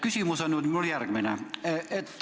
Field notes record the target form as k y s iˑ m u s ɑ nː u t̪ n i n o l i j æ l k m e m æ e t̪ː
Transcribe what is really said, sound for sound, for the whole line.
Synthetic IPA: k y s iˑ m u s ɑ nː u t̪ m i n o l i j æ r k m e n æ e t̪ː